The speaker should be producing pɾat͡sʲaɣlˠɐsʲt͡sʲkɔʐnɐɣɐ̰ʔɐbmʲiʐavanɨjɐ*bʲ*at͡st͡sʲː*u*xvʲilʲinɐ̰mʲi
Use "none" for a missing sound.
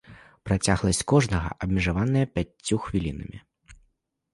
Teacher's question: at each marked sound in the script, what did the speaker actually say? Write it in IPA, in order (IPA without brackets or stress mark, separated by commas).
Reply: pʲ, u